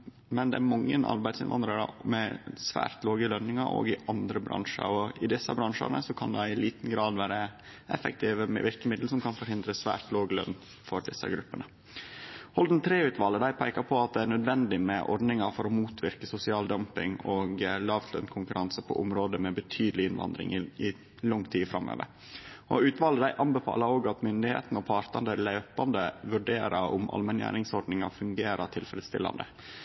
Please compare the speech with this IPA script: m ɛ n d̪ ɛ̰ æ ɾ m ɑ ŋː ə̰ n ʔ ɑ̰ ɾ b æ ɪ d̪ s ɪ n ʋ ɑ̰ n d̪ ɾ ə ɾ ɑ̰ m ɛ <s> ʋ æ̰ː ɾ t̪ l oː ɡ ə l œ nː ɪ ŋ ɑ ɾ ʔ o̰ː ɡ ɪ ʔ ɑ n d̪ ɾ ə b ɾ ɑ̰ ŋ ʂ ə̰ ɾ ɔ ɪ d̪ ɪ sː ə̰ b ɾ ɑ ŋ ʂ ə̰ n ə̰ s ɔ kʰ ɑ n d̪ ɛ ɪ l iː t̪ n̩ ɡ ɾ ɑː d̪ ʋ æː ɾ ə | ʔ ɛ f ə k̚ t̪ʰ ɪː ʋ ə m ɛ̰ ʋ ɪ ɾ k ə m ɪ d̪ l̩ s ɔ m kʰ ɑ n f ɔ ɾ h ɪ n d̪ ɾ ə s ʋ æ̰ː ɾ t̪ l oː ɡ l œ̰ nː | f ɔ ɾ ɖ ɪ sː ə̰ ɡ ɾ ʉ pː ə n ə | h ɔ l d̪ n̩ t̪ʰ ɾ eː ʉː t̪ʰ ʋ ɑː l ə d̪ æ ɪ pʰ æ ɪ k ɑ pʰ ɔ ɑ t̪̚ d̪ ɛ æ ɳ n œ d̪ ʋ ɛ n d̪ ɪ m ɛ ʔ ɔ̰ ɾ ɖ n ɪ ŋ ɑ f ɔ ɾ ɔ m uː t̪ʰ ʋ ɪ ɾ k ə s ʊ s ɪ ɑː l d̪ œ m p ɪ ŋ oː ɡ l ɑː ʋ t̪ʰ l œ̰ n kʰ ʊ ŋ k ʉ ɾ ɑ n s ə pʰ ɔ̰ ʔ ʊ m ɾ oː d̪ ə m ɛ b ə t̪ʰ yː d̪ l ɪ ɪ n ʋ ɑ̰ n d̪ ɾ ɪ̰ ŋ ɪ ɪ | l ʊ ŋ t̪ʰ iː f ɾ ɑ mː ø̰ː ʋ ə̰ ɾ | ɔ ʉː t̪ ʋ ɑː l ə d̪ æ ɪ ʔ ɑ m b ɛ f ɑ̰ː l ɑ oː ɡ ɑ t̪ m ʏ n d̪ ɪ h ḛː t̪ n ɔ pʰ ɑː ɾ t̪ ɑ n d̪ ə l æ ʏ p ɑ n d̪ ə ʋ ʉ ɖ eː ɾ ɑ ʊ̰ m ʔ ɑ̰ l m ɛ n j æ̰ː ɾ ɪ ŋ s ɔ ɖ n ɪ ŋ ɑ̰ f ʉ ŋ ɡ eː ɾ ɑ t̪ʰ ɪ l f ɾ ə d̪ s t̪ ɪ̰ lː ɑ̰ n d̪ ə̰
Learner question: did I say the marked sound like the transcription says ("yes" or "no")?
yes